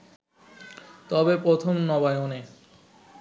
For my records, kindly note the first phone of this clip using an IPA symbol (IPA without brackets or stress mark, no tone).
t̪